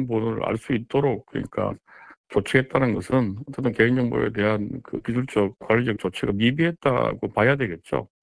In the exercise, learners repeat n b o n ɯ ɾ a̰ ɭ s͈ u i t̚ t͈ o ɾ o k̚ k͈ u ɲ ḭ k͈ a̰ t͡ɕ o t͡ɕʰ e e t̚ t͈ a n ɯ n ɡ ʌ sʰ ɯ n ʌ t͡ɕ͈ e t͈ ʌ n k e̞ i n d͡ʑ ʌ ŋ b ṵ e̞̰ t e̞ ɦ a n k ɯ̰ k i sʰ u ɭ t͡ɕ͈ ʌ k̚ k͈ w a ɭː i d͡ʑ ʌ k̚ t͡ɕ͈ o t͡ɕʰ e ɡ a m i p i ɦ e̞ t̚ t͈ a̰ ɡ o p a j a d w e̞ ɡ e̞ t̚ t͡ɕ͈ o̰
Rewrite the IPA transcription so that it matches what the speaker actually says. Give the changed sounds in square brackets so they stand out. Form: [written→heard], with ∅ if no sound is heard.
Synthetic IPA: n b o n ɯ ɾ a̰ ɭ s͈ u i t̚ t͈ o ɾ o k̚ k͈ [u→ɯ] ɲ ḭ k͈ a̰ t͡ɕ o t͡ɕʰ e e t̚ t͈ a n ɯ n ɡ ʌ sʰ ɯ n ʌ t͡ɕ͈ e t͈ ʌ n k e̞ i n d͡ʑ ʌ ŋ b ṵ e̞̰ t e̞ ɦ a n k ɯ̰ k i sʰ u ɭ t͡ɕ͈ ʌ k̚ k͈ w a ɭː i d͡ʑ ʌ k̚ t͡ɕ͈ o t͡ɕʰ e ɡ a m i [p→b] i ɦ e̞ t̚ t͈ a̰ ɡ o p a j a d w e̞ ɡ e̞ t̚ t͡ɕ͈ o̰